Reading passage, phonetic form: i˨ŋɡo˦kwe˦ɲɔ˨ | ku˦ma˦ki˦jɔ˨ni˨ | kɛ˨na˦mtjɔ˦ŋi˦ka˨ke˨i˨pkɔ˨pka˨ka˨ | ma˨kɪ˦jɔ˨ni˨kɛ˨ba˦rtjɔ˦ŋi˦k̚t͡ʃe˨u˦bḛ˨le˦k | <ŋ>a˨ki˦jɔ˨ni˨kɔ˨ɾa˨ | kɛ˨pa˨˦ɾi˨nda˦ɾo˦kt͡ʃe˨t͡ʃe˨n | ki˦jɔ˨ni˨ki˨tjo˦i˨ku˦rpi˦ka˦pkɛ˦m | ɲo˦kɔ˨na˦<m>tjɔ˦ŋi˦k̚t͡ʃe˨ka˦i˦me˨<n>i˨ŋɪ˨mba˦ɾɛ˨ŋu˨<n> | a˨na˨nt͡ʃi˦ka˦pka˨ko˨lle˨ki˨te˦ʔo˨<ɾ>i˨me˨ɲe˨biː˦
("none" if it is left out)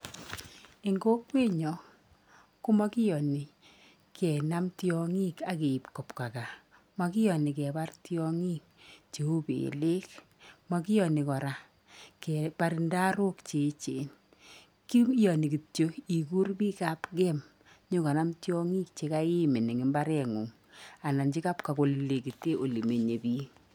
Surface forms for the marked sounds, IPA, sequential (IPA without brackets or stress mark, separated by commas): m, m, n, ŋ, l